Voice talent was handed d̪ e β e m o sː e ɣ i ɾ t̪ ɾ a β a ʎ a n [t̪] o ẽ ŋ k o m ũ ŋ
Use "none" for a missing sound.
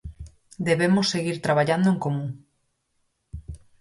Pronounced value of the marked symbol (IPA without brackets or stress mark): d̪